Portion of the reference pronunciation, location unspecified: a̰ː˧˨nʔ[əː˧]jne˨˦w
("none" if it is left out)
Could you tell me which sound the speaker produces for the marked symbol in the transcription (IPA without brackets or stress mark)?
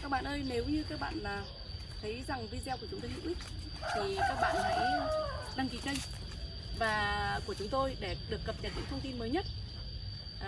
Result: əː˧